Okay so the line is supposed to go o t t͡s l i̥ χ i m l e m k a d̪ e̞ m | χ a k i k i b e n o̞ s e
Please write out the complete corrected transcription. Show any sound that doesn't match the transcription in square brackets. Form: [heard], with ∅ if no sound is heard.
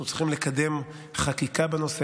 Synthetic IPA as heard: [u] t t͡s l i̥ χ i m l e [∅] k a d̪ e̞ m | χ a k i k [a] b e n o̞ s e

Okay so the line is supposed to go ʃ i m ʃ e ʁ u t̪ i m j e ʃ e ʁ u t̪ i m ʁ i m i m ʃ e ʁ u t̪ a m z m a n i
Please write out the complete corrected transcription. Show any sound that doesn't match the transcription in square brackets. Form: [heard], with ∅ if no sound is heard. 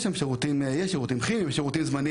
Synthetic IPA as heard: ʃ [a] m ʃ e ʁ u t̪ i m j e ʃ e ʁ u t̪ i m [χ] i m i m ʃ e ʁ u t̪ [i] m z m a n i

